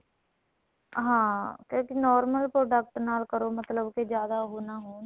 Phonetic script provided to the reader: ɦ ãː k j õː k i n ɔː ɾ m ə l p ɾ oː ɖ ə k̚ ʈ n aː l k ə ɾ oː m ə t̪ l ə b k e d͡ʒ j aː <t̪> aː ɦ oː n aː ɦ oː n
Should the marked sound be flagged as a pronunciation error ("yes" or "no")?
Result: yes